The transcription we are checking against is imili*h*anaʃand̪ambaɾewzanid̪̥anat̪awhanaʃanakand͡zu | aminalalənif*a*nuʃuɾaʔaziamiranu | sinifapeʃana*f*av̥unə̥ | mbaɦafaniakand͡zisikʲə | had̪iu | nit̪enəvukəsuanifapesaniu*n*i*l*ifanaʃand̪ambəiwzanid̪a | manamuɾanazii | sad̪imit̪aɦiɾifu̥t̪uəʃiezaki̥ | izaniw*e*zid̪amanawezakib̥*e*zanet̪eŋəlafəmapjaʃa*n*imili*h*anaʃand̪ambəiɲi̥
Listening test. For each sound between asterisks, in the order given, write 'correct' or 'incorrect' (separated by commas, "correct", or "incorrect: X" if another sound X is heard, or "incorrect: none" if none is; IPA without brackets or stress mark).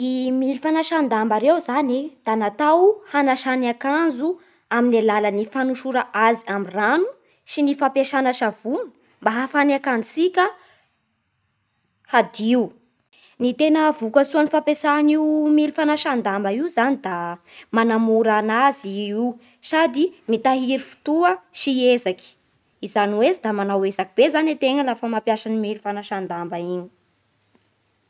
incorrect: f, correct, incorrect: ʃ, incorrect: m, correct, correct, correct, correct, incorrect: f